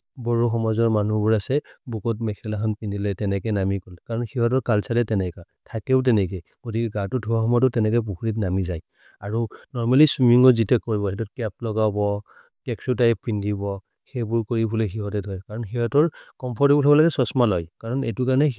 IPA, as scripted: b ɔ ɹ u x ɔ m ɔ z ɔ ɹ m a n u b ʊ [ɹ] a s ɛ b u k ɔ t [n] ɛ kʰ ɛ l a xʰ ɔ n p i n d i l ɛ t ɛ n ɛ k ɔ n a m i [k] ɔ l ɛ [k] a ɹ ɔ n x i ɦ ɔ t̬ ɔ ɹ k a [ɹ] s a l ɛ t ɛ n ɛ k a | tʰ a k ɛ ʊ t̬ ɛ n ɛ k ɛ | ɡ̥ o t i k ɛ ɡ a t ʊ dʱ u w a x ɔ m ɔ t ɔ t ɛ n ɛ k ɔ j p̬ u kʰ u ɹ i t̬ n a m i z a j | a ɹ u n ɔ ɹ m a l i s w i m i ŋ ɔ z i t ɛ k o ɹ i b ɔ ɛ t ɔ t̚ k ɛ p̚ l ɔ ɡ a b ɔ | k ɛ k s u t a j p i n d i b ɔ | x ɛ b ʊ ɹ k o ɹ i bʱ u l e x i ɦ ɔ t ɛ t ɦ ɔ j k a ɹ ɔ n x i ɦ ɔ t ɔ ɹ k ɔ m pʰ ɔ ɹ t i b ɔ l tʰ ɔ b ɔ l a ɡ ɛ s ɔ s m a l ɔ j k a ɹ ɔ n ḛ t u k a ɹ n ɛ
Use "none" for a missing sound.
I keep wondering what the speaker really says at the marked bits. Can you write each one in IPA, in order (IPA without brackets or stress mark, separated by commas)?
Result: ɹ, m, k, k, l